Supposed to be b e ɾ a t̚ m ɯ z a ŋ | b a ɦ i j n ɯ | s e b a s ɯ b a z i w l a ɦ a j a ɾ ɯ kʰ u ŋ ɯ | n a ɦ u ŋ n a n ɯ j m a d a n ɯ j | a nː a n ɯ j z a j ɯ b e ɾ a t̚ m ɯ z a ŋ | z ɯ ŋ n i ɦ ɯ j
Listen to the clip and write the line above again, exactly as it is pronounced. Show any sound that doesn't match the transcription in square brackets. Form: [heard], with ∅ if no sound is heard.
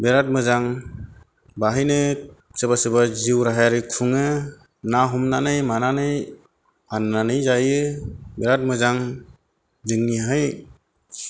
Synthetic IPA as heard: b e ɾ a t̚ m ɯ z a ŋ | b a ɦ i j n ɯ | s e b a s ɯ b a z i w [ɾ] a ɦ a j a ɾ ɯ kʰ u ŋ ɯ | n a ɦ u [m] n a n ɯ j m a [n] a n ɯ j | a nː a n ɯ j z a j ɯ b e ɾ a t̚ m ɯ z a ŋ | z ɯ ŋ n i ɦ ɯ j